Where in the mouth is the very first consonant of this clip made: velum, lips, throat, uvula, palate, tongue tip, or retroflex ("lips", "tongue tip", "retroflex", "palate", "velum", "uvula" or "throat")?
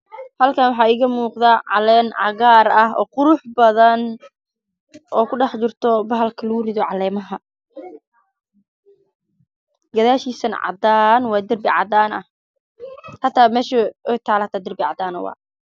throat